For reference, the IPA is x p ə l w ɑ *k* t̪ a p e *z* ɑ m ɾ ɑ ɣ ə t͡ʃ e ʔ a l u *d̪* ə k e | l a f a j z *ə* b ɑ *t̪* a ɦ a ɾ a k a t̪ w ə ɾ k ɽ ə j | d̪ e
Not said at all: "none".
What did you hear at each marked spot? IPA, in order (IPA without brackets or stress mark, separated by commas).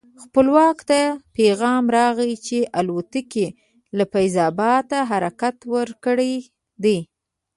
k, ɣ, t̪, ɑ, t̪